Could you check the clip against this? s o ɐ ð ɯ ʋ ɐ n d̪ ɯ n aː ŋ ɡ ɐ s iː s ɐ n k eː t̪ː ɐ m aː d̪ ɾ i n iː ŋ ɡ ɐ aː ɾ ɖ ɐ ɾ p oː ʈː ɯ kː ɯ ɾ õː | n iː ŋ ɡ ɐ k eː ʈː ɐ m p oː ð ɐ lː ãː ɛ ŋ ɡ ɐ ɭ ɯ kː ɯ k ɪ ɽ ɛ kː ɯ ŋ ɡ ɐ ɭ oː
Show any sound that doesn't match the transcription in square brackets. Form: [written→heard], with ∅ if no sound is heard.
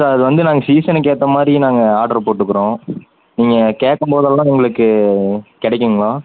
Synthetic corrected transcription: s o ɐ ð ɯ ʋ ɐ n d̪ ɯ n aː ŋ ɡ ɐ s iː s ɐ n k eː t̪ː ɐ m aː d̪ ɾ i n [iː→aː] ŋ ɡ ɐ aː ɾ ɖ ɐ ɾ p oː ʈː ɯ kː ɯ ɾ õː | n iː ŋ ɡ ɐ k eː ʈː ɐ m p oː ð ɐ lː ãː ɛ ŋ ɡ ɐ ɭ ɯ kː ɯ k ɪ ɽ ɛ kː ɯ ŋ ɡ ɐ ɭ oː